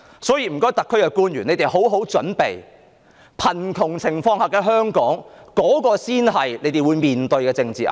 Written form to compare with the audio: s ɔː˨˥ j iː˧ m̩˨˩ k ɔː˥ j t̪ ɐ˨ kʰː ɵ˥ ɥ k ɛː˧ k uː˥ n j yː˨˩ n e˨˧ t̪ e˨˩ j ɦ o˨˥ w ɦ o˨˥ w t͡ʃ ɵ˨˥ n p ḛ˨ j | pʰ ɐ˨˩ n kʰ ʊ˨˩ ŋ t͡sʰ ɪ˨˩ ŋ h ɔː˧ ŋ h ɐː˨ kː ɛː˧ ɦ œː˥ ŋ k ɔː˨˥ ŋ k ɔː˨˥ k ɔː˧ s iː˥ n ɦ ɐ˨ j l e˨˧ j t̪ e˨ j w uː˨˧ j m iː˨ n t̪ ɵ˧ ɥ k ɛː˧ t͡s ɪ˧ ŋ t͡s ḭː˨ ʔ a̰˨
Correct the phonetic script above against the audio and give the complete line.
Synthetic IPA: s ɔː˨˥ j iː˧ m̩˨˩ k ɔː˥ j t̪ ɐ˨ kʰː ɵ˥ ɥ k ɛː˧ k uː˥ n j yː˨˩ n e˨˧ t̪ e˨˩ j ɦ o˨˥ w ɦ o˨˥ w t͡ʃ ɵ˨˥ n p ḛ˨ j | pʰ ɐ˨˩ n kʰ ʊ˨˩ ŋ t͡sʰ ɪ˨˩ ŋ f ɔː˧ ŋ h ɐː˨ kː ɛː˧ ɦ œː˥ ŋ k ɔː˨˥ ŋ k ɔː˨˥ k ɔː˧ s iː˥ n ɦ ɐ˨ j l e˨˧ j t̪ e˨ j w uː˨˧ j m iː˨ n t̪ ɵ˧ ɥ k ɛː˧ t͡s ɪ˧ ŋ t͡s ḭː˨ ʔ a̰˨

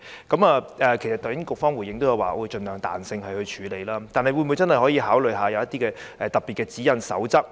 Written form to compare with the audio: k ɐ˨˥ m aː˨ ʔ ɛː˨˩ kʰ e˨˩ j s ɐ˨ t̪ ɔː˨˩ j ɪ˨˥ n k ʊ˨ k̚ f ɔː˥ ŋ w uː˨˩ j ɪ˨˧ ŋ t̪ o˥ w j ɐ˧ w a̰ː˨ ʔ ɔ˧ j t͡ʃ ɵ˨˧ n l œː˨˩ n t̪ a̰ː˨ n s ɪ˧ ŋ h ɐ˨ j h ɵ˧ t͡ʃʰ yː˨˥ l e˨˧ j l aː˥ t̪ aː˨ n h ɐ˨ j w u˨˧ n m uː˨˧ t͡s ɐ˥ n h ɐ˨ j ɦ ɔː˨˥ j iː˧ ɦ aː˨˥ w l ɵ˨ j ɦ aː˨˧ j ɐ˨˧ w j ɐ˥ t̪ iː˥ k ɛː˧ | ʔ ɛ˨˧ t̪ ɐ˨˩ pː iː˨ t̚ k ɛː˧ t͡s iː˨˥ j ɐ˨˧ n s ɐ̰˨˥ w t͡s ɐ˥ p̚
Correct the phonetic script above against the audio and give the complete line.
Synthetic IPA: k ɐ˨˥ m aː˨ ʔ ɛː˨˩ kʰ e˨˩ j s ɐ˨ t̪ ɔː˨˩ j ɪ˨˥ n k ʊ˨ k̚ f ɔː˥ ŋ w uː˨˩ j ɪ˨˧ ŋ t̪ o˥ w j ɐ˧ w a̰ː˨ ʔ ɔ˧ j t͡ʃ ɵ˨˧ n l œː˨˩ ŋ t̪ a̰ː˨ n s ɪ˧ ŋ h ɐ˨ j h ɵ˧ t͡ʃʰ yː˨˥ l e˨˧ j l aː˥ t̪ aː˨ n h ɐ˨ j w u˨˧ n m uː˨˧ t͡s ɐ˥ n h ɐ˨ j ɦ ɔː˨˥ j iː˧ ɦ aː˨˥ w l ɵ˨ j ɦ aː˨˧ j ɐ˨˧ w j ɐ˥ t̪ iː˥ k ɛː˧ | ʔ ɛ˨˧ t̪ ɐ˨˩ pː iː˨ t̚ k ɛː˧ t͡s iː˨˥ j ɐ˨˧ n s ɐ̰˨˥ w t͡s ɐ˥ k̚

